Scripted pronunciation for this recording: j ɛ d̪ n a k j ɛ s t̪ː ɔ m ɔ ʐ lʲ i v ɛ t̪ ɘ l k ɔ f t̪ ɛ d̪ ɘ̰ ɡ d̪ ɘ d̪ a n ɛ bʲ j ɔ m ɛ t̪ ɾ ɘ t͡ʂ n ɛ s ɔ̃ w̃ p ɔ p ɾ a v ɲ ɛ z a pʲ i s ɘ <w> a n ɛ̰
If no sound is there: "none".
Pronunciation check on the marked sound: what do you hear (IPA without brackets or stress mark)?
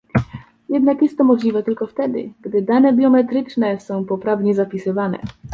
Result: v